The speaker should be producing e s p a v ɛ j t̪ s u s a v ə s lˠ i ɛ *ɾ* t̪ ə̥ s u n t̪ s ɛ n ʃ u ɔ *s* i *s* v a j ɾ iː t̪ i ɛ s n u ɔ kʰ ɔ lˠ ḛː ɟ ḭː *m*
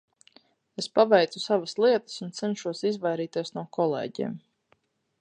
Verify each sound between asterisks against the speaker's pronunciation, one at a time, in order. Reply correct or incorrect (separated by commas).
incorrect, correct, incorrect, correct